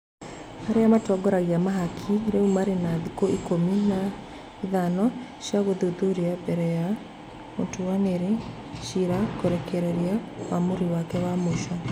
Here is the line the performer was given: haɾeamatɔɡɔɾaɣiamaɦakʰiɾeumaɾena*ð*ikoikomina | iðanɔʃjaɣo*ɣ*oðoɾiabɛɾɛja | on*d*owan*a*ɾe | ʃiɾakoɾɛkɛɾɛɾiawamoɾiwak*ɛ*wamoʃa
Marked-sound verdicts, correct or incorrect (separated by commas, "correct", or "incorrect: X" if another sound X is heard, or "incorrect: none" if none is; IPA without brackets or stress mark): correct, incorrect: ð, incorrect: t, incorrect: e, correct